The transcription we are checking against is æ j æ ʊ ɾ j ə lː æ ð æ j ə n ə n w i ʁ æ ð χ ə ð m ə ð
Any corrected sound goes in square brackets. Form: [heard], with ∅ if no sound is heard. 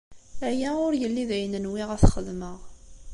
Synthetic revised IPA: æ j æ ʊ ɾ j ə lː [i] ð æ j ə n ə n w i ʁ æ [θ] χ ə ð m ə [ʁ]